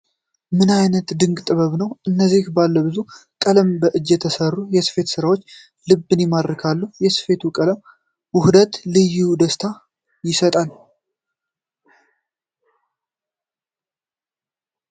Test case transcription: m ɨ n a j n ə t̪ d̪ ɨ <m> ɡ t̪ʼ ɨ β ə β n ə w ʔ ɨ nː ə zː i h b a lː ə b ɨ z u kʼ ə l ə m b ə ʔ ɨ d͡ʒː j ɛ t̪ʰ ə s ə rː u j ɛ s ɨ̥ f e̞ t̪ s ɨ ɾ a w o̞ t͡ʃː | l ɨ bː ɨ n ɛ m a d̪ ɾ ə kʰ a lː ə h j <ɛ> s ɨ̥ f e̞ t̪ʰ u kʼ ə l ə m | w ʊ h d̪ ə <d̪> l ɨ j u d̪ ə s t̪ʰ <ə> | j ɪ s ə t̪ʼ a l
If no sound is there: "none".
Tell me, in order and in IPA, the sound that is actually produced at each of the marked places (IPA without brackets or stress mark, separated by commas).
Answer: ŋ, ɛ, t̪, a